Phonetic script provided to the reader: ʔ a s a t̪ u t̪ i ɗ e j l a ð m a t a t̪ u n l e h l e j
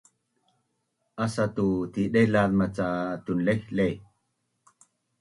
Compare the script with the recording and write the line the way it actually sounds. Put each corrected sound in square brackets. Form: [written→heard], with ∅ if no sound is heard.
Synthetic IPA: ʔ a s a t̪ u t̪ i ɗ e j l a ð m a [t→t͡s] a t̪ u n l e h l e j

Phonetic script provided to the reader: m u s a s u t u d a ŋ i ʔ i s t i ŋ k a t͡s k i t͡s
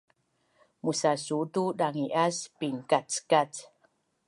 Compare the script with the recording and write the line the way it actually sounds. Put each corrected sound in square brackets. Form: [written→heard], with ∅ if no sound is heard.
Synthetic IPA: m u s a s u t u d a ŋ i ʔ [i→a] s [t→p] i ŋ k a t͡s k [i→a] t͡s

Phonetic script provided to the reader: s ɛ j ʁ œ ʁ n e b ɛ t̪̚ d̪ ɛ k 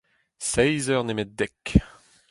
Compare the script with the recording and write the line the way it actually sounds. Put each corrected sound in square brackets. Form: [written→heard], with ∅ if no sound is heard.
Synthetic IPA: s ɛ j [ʁ→z] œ ʁ n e [b→m] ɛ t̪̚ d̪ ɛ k

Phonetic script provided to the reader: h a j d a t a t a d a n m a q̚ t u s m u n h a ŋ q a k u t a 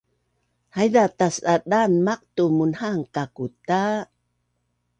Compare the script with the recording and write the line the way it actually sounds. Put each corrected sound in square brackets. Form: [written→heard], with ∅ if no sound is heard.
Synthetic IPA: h a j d a t a [t→s] a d a n m a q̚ t u [s→∅] m u n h a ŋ [q→k] a k u t a

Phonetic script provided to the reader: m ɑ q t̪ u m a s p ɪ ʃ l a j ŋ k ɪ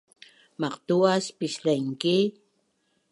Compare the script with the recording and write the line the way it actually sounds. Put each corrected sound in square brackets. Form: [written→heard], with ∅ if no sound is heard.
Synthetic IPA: m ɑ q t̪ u [m→∅] a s p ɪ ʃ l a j ŋ k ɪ

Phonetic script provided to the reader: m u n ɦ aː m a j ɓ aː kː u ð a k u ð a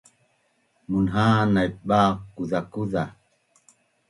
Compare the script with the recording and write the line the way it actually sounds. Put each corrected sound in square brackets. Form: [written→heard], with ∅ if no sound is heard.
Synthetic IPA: m u n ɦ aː [m→n] a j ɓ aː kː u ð a k u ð a

